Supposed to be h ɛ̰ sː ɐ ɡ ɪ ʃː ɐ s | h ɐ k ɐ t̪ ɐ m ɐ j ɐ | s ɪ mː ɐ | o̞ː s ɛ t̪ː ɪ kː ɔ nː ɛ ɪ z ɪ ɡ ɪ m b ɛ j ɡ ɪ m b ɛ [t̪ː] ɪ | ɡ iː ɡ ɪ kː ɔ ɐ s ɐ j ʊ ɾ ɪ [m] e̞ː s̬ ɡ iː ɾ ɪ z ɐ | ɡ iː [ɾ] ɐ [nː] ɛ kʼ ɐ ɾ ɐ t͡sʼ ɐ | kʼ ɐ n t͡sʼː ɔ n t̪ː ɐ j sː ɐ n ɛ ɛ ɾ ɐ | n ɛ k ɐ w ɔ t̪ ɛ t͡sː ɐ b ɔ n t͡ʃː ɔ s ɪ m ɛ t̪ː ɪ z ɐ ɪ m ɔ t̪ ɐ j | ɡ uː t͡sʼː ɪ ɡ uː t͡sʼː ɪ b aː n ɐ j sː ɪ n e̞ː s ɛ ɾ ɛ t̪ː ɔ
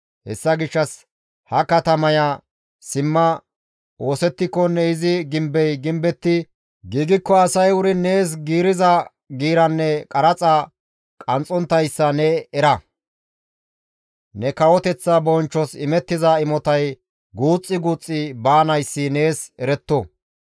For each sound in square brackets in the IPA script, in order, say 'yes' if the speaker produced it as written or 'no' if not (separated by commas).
yes, no, yes, yes